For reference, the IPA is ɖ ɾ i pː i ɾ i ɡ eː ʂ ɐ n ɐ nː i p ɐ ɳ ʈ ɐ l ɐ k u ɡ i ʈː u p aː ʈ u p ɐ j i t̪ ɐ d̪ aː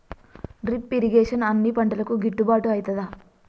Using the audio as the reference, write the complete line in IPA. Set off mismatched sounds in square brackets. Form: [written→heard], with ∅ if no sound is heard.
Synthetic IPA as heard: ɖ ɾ i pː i ɾ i ɡ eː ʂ ɐ n ɐ nː i p ɐ ɳ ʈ ɐ l ɐ k u ɡ i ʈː u [p→b] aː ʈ u [p→∅] ɐ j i t̪ ɐ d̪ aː